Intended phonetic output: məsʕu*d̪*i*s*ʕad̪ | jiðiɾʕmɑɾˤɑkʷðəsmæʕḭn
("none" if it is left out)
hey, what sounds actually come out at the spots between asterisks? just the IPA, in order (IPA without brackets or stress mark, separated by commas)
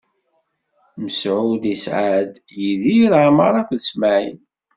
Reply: d̪, s